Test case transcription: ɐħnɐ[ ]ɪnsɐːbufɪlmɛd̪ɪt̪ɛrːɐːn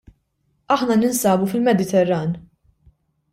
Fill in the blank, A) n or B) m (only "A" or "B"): A